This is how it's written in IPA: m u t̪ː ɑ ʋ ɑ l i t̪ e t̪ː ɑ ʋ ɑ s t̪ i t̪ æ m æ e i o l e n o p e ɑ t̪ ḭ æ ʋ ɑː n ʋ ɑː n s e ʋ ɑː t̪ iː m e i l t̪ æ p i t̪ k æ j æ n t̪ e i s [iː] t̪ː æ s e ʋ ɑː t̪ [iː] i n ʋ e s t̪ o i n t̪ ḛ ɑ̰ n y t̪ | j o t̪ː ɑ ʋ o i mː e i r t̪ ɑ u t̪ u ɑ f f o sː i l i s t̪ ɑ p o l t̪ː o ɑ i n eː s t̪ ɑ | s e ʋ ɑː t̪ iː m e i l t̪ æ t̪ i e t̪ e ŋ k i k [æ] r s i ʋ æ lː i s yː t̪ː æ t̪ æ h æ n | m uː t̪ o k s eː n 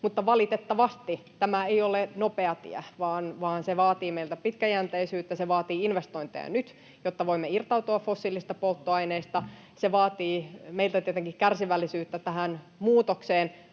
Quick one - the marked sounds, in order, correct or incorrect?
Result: incorrect, correct, correct

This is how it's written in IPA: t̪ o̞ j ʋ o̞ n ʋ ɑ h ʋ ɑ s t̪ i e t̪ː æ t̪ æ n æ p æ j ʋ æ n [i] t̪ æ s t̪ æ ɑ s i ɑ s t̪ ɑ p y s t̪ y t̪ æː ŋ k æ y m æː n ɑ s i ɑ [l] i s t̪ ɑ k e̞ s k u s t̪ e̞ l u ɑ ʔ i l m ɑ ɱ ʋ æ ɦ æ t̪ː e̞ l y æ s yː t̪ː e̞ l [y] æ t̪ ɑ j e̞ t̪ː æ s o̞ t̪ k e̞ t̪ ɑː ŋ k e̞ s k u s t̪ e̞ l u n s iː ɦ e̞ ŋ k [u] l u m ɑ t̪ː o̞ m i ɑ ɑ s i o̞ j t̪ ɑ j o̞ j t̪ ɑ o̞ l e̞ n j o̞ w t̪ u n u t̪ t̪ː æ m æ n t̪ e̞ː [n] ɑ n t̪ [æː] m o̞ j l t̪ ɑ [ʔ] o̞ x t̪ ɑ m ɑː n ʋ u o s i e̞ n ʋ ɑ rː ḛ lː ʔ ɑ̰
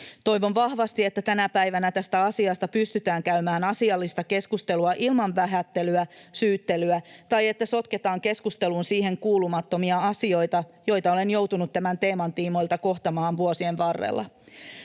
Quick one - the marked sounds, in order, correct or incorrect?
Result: incorrect, incorrect, correct, incorrect, incorrect, incorrect, incorrect

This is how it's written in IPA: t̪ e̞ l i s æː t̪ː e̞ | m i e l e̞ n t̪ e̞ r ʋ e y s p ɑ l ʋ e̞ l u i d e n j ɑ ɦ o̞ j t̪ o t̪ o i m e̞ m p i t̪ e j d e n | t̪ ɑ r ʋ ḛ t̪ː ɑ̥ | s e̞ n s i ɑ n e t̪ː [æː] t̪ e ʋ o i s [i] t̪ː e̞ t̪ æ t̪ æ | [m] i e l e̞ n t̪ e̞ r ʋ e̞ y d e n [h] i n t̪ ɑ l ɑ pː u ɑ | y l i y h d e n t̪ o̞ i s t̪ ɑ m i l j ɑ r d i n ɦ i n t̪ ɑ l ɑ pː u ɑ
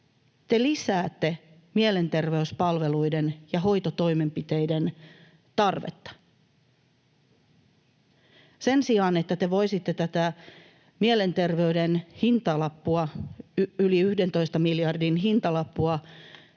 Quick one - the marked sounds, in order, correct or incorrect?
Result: incorrect, correct, correct, correct

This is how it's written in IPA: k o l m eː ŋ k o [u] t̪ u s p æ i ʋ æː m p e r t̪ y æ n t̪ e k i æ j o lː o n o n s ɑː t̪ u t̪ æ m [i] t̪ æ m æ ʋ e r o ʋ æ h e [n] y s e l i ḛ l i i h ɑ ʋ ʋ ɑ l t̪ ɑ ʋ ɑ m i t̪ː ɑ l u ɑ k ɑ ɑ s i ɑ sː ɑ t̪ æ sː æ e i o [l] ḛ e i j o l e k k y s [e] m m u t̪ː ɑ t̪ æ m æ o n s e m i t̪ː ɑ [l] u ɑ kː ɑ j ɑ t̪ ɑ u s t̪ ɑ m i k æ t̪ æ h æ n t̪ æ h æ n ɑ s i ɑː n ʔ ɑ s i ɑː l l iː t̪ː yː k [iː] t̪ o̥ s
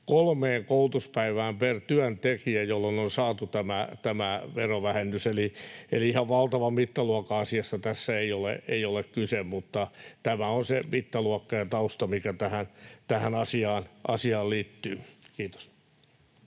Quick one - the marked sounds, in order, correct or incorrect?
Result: correct, incorrect, incorrect, correct, correct, correct, correct

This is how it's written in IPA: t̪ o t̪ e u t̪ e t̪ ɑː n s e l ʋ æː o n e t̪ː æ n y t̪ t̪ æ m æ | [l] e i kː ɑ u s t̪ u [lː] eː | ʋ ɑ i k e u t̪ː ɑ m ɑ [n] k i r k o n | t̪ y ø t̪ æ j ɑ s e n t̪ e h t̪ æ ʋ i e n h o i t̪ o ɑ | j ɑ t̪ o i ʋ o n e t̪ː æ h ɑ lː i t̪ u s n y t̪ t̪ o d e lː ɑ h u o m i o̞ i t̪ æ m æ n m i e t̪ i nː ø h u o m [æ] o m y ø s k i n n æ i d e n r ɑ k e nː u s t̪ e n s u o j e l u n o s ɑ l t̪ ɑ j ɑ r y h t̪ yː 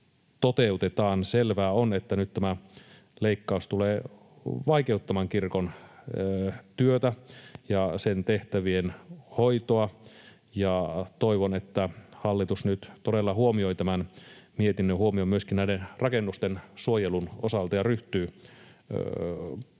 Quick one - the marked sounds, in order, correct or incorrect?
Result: correct, incorrect, incorrect, incorrect

